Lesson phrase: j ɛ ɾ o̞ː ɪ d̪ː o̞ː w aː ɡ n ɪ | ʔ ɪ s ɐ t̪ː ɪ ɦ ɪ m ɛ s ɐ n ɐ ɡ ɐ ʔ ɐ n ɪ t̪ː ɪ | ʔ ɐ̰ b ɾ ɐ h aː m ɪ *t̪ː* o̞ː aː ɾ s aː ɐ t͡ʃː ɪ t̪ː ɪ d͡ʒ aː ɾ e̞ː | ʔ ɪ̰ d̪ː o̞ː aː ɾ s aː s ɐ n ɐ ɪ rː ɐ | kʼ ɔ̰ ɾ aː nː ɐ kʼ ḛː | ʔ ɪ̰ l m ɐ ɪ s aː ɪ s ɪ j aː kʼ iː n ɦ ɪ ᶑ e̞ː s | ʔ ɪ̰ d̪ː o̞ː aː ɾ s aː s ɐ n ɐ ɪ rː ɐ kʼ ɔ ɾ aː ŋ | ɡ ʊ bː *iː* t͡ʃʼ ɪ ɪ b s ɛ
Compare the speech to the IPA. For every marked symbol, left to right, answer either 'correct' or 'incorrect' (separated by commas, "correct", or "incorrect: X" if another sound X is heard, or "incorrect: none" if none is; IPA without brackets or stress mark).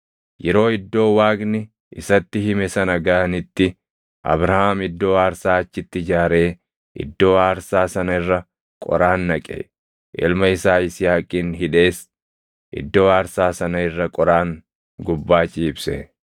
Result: incorrect: d̪ː, incorrect: aː